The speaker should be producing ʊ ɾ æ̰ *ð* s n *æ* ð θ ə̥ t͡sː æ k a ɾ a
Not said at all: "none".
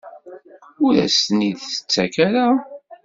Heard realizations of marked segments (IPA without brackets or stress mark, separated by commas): none, i